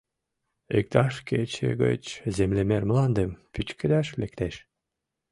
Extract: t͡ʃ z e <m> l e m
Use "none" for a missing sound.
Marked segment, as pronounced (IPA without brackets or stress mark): m